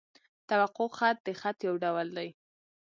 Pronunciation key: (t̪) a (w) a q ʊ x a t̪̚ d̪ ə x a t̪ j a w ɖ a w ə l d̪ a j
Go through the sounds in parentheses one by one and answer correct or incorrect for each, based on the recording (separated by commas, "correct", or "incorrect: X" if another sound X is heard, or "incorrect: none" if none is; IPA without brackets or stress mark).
correct, correct